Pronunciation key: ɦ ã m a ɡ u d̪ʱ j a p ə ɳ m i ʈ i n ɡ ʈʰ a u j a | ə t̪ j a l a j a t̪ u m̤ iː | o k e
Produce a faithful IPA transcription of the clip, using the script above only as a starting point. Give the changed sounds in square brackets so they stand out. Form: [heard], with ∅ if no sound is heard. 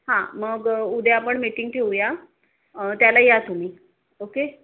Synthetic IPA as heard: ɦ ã m [ə] ɡ u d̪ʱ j a p ə ɳ m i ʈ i [ŋ] ɡ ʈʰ [e] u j a | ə t̪ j a l a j a t̪ u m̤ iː | o k e